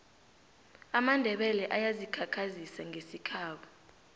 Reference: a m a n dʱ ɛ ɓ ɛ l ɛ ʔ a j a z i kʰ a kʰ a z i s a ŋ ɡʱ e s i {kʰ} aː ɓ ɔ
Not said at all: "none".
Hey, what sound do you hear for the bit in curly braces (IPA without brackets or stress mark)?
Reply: kʰ